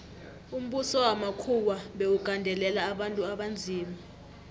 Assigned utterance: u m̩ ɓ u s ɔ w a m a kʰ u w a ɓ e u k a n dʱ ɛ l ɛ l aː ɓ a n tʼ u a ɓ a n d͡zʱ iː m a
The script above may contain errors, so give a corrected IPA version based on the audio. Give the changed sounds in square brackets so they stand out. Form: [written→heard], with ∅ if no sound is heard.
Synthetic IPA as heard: u m̩ ɓ u s ɔ w a m a kʰ u w a ɓ e u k a n dʱ ɛ l ɛ l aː ɓ a n tʼ u a ɓ a n d͡zʱ iː m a